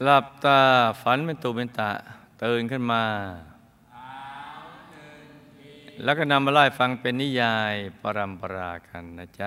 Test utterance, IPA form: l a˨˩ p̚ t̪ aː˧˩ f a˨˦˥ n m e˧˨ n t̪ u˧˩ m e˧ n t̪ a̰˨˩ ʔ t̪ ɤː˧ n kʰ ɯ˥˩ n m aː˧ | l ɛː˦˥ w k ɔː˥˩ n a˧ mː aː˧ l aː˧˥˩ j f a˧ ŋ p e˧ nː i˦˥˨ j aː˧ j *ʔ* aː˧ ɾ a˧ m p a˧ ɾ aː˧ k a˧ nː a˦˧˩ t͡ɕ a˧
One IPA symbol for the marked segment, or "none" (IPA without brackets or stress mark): p